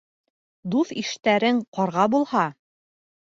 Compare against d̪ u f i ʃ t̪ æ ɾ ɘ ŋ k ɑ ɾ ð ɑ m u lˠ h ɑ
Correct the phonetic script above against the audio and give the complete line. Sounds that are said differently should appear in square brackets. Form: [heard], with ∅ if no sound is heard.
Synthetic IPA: d̪ u [θ] i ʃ t̪ æ ɾ ɘ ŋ [q] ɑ ɾ [ʁ] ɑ [b] u lˠ h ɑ